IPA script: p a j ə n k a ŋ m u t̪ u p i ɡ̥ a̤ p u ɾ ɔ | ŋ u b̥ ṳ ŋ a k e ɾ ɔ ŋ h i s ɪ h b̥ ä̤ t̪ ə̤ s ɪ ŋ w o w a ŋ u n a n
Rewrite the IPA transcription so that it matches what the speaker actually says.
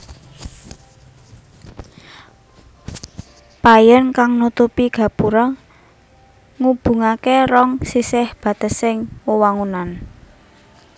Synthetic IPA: p a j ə n k a ŋ n u t̪ u p i ɡ̥ a̤ p u ɾ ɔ | ŋ u b̥ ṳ ŋ a k e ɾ ɔ ŋ s i s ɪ h b̥ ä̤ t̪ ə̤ s ɪ ŋ w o w a ŋ u n a n